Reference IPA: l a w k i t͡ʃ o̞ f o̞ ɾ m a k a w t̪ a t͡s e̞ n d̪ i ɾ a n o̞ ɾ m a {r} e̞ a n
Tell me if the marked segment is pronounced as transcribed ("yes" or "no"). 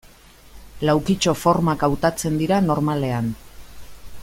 no